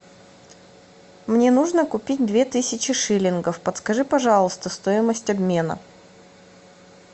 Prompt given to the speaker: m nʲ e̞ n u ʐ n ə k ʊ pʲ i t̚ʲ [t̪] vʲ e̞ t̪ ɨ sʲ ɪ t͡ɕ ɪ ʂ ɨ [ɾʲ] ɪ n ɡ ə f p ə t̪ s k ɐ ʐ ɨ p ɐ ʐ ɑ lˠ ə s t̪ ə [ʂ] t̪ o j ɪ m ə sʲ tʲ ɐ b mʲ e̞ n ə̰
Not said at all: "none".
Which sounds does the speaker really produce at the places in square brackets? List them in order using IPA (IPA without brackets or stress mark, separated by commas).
d̪, lʲ, s